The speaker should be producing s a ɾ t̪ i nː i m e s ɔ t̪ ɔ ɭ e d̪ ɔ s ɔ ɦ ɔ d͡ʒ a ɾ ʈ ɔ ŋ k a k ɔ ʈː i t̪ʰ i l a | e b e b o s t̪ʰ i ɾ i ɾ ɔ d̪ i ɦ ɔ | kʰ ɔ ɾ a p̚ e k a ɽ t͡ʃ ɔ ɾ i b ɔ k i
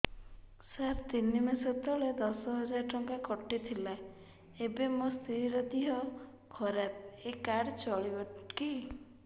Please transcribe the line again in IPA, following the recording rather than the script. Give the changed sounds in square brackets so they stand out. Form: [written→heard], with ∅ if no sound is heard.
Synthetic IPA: s a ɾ t̪ i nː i m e s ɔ t̪ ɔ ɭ e d̪ ɔ s ɔ ɦ ɔ d͡ʒ a ɾ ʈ ɔ ŋ k a k ɔ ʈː i t̪ʰ i l a | e b e [b→m] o s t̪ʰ i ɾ i ɾ ɔ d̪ i ɦ ɔ | kʰ ɔ ɾ a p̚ e k a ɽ t͡ʃ ɔ [ɾ→ɭ] i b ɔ k i